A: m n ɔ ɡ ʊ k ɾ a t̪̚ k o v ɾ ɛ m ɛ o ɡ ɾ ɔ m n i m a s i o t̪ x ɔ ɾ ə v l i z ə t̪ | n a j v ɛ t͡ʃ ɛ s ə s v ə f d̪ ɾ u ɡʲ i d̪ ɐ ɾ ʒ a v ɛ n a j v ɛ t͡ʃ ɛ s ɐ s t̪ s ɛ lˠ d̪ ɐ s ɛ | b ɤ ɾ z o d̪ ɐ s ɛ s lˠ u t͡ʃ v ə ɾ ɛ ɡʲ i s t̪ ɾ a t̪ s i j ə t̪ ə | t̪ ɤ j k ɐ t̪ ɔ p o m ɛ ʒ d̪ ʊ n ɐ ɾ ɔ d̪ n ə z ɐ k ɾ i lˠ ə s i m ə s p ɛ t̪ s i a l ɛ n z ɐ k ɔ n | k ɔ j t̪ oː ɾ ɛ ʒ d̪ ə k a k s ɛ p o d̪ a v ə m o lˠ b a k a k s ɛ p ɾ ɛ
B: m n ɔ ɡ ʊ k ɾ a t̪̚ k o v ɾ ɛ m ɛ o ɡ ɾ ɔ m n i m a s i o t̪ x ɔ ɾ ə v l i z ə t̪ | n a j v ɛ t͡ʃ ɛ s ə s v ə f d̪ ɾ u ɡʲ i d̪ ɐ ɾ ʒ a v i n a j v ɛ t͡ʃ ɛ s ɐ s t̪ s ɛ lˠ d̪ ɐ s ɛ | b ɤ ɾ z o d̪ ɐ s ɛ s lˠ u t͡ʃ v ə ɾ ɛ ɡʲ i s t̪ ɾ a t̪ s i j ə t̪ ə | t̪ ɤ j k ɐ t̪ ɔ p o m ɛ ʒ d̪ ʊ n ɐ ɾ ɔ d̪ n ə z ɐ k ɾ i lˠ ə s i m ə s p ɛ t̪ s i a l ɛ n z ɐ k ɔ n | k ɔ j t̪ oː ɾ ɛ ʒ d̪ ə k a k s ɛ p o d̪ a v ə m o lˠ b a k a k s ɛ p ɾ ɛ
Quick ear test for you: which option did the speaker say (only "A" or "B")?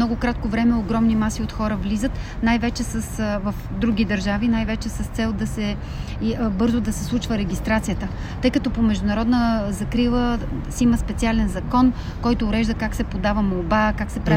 B